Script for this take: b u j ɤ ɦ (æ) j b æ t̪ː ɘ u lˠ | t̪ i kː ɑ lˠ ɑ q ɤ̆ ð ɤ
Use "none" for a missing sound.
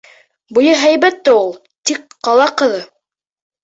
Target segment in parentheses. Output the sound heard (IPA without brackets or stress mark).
æ